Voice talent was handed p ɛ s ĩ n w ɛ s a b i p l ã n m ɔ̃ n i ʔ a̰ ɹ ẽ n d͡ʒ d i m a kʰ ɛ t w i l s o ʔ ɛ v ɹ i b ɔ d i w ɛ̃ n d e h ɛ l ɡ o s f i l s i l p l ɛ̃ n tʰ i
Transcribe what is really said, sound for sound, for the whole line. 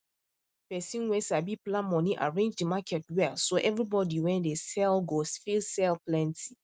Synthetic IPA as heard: p ɛ s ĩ n w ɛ s a b i p l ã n m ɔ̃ n i ʔ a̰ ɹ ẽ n d͡ʒ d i m a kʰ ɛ t w ɛ l s o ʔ ɛ v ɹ i b ɔ d i w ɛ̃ n d e s ɛ l ɡ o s f i l s ɛ l p l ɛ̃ n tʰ i